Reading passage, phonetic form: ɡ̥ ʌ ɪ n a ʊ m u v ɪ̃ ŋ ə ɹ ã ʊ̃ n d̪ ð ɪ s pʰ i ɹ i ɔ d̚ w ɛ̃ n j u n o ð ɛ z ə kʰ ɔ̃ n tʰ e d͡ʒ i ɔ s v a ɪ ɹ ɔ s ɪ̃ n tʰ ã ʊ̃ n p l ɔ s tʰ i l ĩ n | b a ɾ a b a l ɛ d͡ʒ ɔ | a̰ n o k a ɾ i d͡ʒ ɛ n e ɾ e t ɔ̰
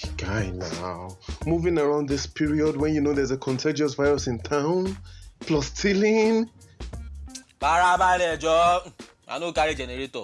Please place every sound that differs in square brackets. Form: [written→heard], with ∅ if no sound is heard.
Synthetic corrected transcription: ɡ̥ [ʌ→a] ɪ n a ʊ m u v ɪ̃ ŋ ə ɹ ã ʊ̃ n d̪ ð ɪ s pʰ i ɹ i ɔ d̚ w ɛ̃ n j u n o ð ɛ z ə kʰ ɔ̃ n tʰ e d͡ʒ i ɔ s v a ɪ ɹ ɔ s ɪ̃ n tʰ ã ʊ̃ n p l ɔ s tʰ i l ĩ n | b a ɾ a b a l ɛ d͡ʒ ɔ | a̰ n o k a ɾ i d͡ʒ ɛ n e ɾ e t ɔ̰

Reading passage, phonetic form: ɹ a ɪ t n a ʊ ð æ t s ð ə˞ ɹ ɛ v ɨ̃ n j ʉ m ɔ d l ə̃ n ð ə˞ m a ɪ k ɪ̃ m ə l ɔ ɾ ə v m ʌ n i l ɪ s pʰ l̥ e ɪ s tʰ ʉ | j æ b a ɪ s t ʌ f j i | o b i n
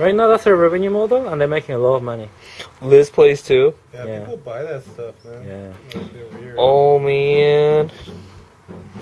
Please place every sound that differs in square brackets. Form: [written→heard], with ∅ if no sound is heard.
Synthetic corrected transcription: ɹ a ɪ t n a ʊ ð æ t s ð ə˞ ɹ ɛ v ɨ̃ n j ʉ m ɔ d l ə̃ n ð ə˞ m [a→e] ɪ k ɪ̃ [m→ŋ] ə l ɔ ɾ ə v m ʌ n i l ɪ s pʰ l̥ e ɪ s tʰ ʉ | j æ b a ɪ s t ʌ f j [i→æ] | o [b→m] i n

